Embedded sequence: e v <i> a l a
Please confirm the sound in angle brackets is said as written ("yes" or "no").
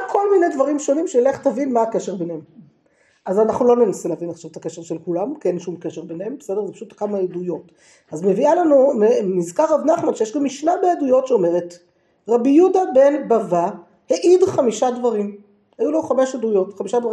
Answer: yes